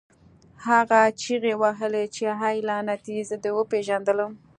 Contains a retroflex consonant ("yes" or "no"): no